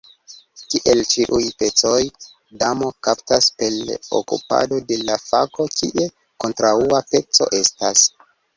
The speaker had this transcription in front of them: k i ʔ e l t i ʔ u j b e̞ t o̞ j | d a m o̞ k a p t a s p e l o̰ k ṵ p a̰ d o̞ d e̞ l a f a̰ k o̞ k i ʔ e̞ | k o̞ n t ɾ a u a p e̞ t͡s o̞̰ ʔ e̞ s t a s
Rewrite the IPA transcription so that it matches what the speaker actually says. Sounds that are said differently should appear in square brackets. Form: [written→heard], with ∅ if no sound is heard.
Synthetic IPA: k i ʔ e l [t→t͡ʃ] i ʔ u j [b→p] e̞ [t→t͡s] o̞ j | d a m o̞ k a p t a s p e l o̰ k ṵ p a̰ d o̞ d e̞ l a f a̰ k o̞ k i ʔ e̞ | k o̞ n t ɾ a u a p e̞ t͡s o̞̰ ʔ e̞ s t a s